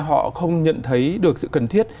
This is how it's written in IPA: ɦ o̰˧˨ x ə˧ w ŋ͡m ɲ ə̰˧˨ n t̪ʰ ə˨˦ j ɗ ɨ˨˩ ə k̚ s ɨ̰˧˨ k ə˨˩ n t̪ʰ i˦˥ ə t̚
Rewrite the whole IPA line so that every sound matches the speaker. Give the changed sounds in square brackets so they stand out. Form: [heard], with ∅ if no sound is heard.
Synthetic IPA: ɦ [ɔ̰˧˨] x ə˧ w ŋ͡m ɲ ə̰˧˨ n t̪ʰ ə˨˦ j ɗ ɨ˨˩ ə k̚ s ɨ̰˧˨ k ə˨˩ n t̪ʰ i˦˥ ə t̚